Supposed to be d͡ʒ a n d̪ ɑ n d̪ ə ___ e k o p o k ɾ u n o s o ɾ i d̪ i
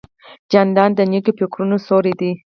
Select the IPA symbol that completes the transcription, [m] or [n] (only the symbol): n